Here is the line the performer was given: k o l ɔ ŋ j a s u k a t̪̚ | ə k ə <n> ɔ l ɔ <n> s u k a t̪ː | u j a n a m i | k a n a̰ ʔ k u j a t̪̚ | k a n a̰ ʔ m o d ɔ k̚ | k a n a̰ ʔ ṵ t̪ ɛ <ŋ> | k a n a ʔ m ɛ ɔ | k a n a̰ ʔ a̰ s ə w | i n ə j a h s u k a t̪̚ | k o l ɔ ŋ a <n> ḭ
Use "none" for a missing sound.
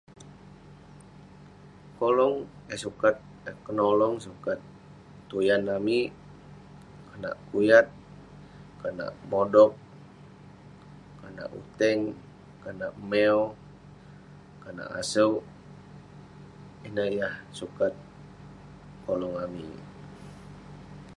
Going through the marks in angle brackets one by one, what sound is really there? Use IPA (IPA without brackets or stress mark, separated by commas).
n, ŋ, ŋ, m